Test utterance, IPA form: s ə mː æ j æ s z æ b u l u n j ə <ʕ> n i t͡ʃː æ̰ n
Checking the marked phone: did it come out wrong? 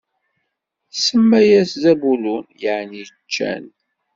no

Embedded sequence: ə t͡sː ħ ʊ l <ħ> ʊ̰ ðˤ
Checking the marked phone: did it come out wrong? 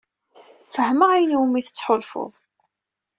yes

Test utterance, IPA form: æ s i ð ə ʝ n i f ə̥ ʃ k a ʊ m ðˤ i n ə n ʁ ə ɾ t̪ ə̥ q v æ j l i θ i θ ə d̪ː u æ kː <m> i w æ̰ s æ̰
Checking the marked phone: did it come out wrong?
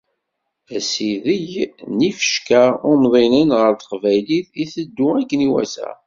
yes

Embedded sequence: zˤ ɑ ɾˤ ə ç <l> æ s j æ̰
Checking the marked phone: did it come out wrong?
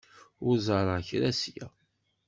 yes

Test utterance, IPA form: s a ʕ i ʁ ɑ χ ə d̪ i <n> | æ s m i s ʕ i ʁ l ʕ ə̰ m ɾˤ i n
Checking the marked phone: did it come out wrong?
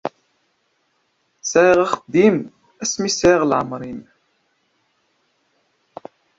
yes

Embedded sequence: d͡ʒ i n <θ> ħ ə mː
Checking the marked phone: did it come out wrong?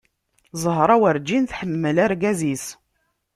no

